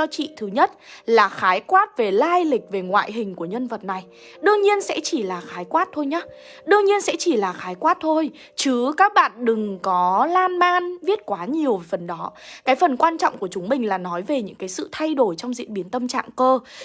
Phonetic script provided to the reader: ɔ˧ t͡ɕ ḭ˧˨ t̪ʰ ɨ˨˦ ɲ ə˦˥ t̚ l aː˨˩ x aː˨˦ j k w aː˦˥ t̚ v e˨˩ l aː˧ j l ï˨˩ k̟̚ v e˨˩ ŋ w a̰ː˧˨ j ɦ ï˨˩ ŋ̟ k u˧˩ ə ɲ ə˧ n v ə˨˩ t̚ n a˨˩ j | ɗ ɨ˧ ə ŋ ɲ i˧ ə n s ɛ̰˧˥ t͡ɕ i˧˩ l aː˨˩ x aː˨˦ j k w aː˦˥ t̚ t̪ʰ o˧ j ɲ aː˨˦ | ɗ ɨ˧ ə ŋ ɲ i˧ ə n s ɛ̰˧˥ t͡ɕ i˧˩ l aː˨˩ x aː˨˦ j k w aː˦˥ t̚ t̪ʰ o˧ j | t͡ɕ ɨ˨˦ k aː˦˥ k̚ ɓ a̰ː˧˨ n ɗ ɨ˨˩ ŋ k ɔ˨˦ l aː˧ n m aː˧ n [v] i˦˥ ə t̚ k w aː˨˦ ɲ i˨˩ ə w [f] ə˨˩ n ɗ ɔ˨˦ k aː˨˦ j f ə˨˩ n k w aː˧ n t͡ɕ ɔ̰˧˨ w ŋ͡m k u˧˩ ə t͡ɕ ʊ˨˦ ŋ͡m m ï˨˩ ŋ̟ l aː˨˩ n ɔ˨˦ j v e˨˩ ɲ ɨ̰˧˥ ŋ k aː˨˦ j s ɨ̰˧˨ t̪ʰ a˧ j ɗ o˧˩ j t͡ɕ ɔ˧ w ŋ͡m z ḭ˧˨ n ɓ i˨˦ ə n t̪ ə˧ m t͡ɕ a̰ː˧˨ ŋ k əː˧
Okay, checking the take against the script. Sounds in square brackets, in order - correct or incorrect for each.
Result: correct, correct

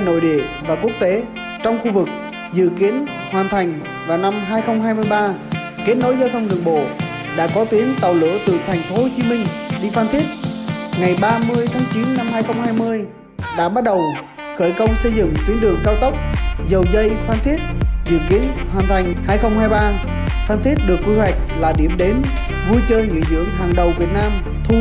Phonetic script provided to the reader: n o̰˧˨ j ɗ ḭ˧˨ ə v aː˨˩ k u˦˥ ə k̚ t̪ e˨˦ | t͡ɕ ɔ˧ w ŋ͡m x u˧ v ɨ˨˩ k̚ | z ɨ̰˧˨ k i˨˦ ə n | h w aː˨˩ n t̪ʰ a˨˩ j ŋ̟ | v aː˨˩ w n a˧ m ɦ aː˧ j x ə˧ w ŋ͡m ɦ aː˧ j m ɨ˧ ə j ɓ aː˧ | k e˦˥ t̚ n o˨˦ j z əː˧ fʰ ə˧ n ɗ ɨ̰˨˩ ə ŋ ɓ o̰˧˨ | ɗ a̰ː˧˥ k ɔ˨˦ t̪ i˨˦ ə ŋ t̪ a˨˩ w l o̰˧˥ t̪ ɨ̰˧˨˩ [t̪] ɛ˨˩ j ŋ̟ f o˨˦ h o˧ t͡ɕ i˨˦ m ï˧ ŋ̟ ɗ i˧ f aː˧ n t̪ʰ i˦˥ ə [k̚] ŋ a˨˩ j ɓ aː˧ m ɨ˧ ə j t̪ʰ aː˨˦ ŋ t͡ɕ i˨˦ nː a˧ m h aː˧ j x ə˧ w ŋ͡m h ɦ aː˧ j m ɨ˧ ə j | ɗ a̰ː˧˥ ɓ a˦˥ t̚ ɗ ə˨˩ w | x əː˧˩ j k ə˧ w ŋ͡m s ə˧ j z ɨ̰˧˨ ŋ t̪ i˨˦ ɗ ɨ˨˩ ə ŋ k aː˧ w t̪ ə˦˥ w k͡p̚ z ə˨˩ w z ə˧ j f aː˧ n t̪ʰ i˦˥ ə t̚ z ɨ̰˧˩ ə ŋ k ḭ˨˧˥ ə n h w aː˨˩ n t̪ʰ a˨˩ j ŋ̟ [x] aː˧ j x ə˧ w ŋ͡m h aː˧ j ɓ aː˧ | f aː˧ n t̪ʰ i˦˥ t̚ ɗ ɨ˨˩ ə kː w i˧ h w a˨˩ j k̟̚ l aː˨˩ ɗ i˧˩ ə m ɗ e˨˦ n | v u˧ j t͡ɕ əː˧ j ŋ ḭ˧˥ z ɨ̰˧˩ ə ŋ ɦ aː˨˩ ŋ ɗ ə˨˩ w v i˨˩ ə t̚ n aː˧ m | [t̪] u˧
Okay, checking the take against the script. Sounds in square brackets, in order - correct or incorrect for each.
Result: incorrect, incorrect, incorrect, incorrect

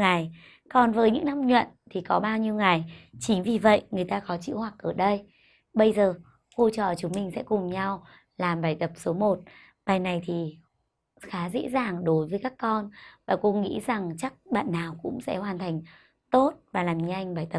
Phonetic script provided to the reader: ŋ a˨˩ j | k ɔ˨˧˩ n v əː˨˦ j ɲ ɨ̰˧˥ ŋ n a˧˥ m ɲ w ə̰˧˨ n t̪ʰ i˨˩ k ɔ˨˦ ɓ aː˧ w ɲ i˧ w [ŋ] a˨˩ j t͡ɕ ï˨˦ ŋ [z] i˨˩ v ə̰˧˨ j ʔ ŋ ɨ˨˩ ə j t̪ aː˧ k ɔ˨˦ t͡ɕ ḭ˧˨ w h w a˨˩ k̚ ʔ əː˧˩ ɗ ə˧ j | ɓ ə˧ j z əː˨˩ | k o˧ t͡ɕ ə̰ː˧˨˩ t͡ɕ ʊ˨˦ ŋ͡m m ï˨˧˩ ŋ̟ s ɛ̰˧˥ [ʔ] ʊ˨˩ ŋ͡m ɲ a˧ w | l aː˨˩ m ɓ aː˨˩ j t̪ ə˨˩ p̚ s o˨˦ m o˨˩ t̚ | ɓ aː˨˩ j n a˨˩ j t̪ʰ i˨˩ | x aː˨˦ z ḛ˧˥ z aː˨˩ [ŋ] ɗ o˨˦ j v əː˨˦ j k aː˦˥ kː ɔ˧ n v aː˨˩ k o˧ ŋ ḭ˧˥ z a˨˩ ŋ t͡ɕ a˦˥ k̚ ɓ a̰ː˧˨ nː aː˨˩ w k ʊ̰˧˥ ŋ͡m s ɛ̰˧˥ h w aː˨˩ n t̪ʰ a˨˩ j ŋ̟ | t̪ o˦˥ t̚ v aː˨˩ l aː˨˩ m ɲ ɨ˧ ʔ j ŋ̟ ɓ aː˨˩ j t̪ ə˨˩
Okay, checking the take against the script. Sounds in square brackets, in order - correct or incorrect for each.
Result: correct, incorrect, incorrect, correct

